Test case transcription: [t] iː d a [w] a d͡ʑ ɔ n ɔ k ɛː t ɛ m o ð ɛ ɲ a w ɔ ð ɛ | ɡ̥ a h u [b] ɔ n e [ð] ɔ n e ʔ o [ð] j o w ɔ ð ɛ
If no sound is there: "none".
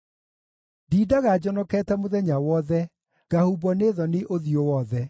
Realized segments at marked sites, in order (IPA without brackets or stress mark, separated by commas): d, ɣ, b, ð, ð